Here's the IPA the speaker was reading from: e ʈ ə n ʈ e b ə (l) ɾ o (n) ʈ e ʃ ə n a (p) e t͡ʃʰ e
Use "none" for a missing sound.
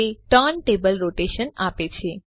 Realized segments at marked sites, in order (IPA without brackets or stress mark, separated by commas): l, none, p